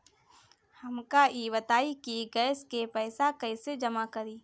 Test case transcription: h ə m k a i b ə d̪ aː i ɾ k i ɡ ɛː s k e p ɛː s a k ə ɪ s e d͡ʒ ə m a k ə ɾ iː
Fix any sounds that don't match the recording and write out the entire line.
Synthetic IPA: h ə m k a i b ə t̪ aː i k i ɡ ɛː s k e p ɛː s a k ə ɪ s e d͡ʒ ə m a k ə ɾ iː